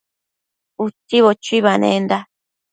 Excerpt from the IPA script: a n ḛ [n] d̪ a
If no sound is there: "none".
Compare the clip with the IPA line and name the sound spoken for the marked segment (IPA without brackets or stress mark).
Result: n